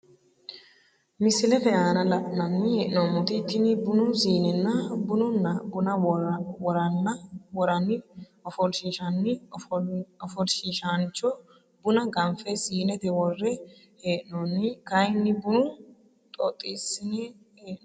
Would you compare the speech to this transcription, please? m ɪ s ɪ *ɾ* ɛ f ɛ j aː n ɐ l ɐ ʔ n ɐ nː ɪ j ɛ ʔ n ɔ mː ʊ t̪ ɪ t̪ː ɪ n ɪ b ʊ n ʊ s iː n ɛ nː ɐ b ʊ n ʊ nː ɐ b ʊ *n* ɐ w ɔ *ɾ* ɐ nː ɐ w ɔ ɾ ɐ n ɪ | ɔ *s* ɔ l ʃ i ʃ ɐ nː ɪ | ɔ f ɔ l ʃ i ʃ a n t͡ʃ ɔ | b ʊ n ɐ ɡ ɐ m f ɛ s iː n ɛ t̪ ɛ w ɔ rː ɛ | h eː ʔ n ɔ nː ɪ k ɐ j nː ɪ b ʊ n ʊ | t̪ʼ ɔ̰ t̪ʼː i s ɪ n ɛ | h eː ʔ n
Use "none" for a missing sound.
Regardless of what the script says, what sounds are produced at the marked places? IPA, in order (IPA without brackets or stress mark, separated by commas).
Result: l, n, ɾ, f